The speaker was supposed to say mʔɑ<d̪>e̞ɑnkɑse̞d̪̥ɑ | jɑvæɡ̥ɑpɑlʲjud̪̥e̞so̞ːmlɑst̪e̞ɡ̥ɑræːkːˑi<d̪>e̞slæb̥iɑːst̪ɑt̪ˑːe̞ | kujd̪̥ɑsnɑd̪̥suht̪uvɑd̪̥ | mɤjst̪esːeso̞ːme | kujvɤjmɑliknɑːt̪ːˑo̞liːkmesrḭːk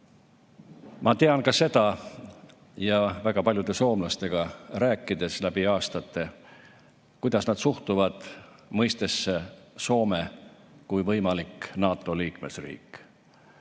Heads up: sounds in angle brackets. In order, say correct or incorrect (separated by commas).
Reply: incorrect, correct